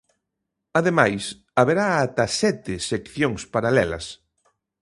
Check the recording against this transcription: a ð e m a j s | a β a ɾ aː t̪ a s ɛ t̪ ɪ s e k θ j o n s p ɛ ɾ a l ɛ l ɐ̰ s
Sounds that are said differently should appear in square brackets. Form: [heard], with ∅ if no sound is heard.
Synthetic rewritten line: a ð e m a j s | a β [e] ɾ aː t̪ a s ɛ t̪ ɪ s e k θ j o [ŋ] s p [a] ɾ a l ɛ l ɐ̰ s